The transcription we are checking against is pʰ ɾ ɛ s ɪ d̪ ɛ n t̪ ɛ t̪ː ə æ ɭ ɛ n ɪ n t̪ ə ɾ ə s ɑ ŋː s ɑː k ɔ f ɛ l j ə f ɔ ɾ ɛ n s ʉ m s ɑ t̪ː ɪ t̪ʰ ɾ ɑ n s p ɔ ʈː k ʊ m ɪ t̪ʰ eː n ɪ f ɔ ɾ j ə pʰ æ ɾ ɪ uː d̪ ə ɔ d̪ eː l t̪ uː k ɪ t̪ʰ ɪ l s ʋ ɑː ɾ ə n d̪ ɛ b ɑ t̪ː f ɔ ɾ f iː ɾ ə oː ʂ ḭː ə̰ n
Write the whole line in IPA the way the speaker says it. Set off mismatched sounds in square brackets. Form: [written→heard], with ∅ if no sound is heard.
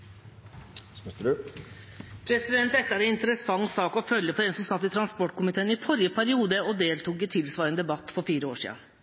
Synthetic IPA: pʰ ɾ ɛ s ɪ d̪ ɛ n t̪ ɛ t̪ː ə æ [ɭ→ɾ] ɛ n ɪ n t̪ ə ɾ ə s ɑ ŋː s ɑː k ɔ f [ɛ→œ] l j ə f ɔ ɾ ɛ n s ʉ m s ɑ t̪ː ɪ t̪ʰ ɾ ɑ n s p ɔ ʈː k ʊ m ɪ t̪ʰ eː n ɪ f ɔ ɾ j ə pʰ æ ɾ ɪ uː d̪ ə ɔ d̪ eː l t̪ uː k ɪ t̪ʰ ɪ l s ʋ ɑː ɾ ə n d̪ ɛ b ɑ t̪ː f ɔ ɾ f iː ɾ ə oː ʂ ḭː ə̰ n